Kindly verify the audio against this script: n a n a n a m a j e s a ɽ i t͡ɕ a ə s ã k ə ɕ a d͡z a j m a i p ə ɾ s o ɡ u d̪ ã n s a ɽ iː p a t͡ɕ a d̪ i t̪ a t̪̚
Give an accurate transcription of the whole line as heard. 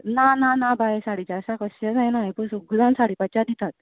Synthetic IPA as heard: n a n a n a b a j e s a ɽ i t͡ɕ a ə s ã k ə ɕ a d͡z a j n a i p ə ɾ s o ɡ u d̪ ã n s a ɽ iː p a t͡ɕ a d̪ i t̪ a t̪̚